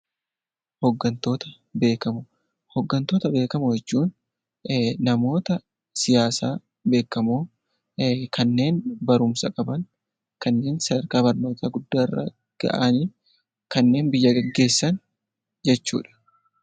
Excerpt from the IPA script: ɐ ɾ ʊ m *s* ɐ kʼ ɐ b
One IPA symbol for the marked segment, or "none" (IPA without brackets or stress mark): s